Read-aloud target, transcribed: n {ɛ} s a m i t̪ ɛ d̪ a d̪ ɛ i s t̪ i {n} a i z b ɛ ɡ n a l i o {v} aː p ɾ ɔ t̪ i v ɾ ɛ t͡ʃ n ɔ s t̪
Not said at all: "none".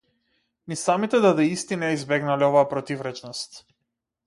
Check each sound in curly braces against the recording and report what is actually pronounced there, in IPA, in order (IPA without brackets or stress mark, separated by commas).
i, n, v